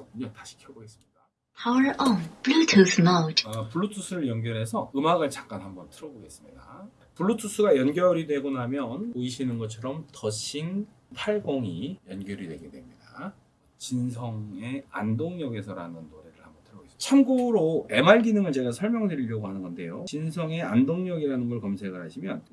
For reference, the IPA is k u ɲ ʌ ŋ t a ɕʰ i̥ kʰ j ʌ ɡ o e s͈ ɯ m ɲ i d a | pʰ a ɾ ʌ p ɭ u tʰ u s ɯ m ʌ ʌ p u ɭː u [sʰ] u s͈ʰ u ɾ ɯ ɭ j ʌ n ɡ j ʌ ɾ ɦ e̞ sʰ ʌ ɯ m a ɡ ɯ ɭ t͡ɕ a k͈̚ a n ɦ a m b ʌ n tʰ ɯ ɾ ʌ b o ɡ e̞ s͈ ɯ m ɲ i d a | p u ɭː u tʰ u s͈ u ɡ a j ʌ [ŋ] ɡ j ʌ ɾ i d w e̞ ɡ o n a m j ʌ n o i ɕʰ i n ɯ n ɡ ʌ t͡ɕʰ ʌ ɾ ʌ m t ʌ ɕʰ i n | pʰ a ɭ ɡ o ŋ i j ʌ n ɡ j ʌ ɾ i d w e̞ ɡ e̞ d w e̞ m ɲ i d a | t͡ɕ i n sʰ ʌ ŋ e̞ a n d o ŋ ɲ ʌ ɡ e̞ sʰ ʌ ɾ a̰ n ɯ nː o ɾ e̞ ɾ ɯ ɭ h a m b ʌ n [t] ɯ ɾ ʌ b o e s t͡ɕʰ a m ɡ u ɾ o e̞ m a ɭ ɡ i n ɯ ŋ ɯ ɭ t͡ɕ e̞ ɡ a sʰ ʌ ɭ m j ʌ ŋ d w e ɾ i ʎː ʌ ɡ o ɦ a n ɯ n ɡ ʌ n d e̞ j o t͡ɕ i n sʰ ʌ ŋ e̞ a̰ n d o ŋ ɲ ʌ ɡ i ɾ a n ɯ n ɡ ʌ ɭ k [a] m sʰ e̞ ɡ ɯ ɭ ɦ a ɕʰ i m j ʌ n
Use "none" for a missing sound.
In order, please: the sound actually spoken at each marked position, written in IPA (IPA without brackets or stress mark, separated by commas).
tʰ, n, tʰ, ʌ